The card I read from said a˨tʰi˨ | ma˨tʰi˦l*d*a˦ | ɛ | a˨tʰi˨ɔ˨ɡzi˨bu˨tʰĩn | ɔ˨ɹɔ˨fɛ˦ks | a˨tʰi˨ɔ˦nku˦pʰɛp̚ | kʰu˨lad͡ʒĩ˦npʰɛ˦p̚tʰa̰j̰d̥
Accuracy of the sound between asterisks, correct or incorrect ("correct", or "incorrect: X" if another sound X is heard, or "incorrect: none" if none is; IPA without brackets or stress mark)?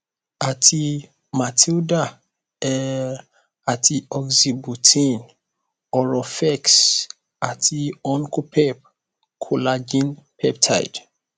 correct